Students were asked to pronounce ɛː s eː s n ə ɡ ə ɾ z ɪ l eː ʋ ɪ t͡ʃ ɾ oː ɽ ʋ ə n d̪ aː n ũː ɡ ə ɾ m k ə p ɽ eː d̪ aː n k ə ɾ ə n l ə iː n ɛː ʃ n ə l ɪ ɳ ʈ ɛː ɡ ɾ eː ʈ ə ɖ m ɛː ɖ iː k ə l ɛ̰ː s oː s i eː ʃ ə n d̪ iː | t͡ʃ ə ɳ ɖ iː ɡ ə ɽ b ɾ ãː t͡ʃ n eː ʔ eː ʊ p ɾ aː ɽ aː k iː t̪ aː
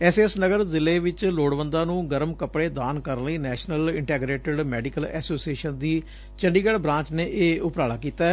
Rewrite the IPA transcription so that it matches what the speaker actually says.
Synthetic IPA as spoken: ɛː s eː s n ə ɡ ə ɾ z ɪ l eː ʋ ɪ t͡ʃ l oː ɽ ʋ ə n d̪ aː n ũː ɡ ə ɾ m k ə p ɽ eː d̪ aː n k ə ɾ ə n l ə iː n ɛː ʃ n ə l ɪ ɳ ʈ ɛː ɡ ɾ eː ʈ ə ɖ m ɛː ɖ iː k ə l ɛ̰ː s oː s i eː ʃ ə n d̪ iː | t͡ʃ ə ɳ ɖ iː ɡ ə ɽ b ɾ ãː t͡ʃ n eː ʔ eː ʊ p ɾ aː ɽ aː k iː t̪ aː